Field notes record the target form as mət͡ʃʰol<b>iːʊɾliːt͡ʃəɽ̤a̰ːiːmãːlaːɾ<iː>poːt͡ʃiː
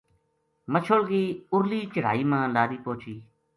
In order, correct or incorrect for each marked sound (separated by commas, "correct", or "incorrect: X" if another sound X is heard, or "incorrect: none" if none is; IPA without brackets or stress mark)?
incorrect: ɡ, correct